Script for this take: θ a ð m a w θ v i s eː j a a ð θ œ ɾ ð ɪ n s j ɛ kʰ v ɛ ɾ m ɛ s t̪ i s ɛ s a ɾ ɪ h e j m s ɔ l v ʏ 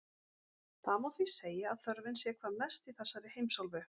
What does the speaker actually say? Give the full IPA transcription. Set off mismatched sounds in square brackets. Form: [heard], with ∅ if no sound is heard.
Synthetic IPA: θ a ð m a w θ v i s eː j a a ð θ œ ɾ [v] ɪ n s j ɛ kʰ v [a] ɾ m ɛ s t̪ i [θ] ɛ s a ɾ ɪ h e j m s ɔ l v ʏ

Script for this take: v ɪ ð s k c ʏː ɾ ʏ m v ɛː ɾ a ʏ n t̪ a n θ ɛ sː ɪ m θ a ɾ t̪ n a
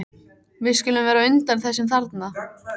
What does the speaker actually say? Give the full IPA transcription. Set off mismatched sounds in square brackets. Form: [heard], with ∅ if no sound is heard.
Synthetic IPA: v ɪ ð s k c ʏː [l] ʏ m v ɛː ɾ a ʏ n t̪ a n θ ɛ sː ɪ m θ a ɾ t̪ n a

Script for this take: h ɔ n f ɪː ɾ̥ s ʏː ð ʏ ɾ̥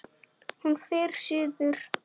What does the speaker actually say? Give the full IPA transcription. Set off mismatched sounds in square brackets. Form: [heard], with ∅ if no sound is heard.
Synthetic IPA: h [u] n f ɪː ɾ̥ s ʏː ð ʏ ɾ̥

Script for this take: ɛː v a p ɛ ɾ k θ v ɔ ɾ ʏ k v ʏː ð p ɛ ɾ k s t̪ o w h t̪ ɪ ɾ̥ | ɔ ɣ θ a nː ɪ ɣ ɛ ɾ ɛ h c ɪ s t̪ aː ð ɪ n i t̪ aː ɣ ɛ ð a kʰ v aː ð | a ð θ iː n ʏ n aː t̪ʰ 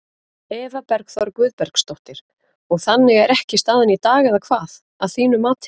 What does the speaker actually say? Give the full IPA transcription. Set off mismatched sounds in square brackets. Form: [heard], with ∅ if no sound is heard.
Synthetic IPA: ɛː v a p ɛ ɾ k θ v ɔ ɾ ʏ k v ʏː ð p ɛ ɾ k s t̪ o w h t̪ ɪ ɾ̥ | ɔ ɣ θ a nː ɪ ɣ ɛ ɾ ɛ h c ɪ s t̪ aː ð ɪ n i t̪ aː ɣ ɛ ð a kʰ v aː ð | a ð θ iː n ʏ [m] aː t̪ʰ

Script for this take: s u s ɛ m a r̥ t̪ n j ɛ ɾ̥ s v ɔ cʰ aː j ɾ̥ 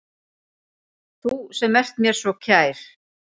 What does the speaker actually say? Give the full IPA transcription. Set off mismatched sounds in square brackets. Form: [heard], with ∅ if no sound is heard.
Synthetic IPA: [θ] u s ɛ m [ɛ] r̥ t̪ [m] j ɛ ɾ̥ s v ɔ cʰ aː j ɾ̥

